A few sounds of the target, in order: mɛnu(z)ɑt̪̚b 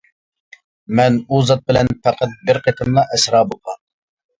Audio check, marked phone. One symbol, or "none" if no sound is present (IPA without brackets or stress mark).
z